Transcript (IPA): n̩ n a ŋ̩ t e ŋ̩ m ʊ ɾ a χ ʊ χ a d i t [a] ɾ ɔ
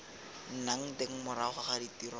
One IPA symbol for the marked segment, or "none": i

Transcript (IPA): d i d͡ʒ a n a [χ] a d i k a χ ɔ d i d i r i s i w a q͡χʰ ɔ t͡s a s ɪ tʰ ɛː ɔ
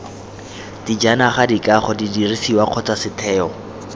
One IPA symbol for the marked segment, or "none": χ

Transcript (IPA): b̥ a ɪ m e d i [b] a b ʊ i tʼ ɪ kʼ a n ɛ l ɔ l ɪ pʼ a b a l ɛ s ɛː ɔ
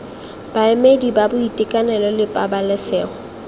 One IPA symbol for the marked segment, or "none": b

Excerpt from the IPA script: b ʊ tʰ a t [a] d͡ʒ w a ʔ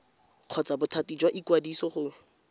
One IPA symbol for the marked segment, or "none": i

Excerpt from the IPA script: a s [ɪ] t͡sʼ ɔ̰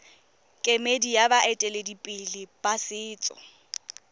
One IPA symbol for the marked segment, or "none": ɪː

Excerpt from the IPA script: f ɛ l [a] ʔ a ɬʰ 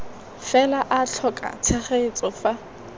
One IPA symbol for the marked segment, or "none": a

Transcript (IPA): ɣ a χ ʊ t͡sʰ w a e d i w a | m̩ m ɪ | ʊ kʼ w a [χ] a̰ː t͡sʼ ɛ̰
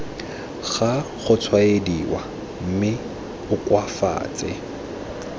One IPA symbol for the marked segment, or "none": f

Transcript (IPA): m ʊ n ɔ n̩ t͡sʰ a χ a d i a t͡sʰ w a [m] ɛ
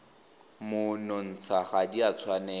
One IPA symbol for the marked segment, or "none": n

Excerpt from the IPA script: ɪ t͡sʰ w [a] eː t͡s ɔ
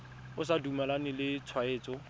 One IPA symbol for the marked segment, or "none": a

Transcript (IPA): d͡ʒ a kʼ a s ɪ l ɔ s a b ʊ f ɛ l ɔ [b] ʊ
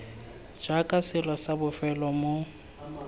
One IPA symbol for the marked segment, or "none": m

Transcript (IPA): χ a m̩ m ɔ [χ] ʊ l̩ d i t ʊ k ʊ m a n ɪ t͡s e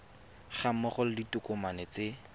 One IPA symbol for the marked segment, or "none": χ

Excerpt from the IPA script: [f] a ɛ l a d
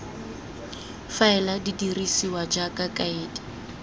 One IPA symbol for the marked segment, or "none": f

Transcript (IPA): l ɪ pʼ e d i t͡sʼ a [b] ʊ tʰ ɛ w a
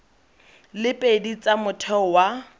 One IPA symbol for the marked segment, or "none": m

